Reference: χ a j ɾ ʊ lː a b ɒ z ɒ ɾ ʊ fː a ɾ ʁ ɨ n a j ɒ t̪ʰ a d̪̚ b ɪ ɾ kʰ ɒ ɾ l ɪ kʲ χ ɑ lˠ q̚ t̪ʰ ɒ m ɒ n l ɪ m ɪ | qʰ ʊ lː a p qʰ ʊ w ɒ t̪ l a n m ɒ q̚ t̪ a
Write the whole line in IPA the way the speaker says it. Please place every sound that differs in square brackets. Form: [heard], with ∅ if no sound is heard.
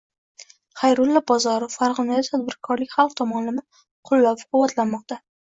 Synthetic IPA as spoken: χ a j ɾ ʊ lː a b ɒ z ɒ ɾ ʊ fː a ɾ ʁ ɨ n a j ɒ t̪ʰ a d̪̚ b ɪ ɾ kʰ ɒ ɾ l ɪ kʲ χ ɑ lˠ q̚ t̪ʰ ɒ m ɒ n l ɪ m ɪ | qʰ ʊ lː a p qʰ ʊ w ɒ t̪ l a n m ɒ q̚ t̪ a